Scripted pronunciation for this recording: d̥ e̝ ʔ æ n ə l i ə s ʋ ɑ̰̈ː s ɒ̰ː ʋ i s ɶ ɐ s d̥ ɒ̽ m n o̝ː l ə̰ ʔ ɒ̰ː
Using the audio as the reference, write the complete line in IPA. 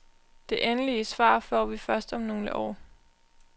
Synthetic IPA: d̥ e̝ ʔ e n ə l i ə s ʋ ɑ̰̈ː f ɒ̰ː ʋ i f ɶ ɐ s d̥ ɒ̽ m n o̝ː l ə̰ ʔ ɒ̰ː

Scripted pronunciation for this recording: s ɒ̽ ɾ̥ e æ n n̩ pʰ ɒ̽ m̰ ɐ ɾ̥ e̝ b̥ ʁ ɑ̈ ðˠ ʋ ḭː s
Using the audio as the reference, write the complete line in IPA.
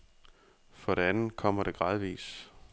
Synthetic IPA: f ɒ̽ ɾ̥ e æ n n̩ kʰ ɒ̽ m̰ ɐ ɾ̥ e̝ ɡ̥ ʁ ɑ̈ ðˠ ʋ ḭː s

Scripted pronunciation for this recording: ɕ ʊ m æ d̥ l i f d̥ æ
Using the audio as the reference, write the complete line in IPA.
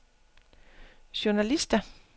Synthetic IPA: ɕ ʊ n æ l i s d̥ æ

